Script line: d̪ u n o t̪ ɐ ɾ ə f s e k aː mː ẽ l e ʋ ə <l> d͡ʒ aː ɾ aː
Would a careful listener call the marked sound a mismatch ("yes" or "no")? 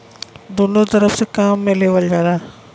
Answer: no